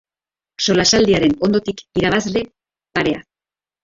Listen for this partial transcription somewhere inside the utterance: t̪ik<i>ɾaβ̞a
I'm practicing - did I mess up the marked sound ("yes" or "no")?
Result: no